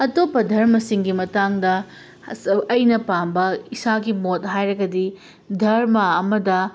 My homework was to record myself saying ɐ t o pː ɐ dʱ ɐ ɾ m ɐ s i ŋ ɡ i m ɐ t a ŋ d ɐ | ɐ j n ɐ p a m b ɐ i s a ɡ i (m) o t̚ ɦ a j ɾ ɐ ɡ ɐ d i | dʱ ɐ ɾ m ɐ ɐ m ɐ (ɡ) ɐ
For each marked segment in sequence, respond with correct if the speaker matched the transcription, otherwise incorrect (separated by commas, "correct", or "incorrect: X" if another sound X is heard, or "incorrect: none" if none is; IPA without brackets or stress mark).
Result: correct, incorrect: d